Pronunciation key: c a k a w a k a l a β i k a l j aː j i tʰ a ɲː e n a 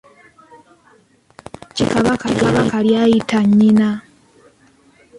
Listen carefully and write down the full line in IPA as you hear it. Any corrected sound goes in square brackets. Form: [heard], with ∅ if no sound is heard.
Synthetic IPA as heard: c [i] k a [β] a k a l a β [a] k a l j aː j i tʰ a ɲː [i] n a